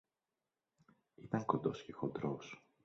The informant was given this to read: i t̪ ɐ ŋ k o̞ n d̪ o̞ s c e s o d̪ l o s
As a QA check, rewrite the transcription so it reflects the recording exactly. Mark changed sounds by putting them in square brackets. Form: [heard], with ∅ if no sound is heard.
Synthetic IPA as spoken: i t̪ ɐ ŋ k o̞ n d̪ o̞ s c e [x] o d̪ [ɾ] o s